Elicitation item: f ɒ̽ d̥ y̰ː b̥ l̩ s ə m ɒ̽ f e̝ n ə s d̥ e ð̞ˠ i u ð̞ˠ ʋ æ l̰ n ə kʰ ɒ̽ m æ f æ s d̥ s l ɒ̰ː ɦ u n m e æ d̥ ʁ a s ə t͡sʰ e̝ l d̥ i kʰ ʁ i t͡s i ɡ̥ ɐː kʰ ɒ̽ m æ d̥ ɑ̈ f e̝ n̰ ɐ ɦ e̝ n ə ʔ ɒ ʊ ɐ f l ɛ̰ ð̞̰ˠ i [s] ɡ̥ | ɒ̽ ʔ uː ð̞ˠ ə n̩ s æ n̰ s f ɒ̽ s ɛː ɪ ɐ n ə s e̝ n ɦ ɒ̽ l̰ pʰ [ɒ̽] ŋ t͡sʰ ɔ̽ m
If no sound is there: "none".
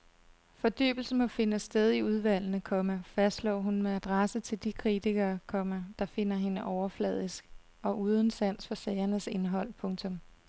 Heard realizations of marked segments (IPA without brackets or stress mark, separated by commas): s, ɔ̽